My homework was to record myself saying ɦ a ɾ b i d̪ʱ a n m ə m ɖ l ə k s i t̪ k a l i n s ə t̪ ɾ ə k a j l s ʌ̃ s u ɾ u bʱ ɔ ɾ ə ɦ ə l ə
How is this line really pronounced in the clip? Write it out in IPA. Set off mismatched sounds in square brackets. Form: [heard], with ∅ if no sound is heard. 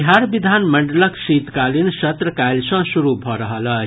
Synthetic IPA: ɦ a ɾ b i d̪ʱ a n m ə [ɳ] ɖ l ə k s i t̪ k a l i n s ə t̪ ɾ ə k a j l s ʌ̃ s u ɾ u bʱ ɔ ɾ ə ɦ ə l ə